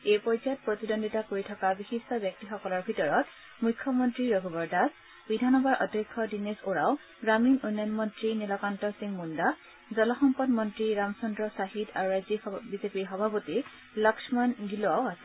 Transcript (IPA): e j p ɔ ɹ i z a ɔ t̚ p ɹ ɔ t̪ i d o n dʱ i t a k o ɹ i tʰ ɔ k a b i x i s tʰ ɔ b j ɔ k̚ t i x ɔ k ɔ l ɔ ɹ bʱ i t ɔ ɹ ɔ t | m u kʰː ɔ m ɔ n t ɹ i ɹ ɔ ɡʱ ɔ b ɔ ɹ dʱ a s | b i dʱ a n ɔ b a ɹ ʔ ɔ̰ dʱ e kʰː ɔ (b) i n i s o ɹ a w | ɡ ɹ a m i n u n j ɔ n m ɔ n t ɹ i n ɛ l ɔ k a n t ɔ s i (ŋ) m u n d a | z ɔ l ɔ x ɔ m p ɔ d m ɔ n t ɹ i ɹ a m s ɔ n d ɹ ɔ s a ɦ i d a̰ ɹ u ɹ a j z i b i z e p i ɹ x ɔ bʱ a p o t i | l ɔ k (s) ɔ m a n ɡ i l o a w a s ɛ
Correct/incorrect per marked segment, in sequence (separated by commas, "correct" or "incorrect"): incorrect, correct, correct